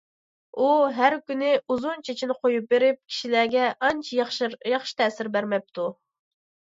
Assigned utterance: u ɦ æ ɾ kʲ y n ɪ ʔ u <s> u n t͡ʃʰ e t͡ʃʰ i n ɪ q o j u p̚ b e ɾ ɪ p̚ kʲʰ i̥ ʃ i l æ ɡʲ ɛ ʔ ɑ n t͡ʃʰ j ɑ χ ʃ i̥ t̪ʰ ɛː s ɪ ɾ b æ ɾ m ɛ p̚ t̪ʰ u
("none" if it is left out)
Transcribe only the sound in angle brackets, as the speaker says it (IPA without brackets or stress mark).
z